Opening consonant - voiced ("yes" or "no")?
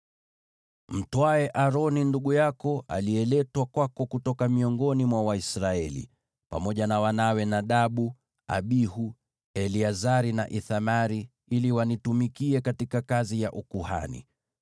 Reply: yes